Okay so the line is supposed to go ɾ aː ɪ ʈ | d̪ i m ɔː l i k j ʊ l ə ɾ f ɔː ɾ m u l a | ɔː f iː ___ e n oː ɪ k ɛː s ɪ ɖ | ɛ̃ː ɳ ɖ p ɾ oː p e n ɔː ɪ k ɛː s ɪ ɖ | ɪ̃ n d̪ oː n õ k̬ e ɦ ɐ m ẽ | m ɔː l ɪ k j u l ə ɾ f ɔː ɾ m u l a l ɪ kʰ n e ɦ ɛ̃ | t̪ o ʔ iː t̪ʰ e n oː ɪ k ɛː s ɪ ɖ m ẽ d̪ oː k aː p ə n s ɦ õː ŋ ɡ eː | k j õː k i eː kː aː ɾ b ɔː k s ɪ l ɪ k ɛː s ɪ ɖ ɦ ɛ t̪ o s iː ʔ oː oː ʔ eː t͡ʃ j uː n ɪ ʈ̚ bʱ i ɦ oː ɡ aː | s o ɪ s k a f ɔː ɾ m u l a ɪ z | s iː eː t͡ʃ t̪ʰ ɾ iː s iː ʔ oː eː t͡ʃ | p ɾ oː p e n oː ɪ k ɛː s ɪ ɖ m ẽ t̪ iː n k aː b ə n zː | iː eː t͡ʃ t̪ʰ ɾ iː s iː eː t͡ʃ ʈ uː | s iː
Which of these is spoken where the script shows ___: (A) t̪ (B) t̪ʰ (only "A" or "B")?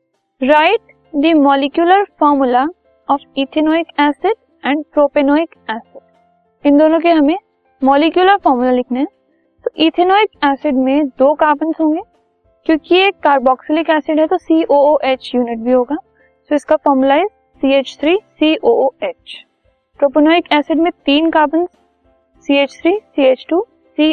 B